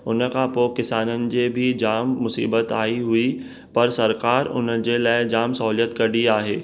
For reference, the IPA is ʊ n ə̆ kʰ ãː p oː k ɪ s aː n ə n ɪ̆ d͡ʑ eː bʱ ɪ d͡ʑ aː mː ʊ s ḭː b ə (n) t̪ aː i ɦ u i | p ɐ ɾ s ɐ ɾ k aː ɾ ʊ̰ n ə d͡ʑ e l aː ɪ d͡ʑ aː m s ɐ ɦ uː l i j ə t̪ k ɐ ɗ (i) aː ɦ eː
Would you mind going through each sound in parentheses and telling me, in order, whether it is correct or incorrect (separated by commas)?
incorrect, correct